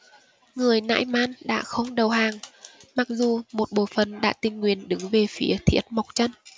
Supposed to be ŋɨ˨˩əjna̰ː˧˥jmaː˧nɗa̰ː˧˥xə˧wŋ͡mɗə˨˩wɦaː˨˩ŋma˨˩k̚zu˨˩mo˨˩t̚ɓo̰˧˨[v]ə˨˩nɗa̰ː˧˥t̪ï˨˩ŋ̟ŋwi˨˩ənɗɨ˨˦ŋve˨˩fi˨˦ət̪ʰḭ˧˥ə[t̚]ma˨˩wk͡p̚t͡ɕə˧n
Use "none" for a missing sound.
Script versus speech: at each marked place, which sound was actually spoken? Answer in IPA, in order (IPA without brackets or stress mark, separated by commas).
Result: f, t̚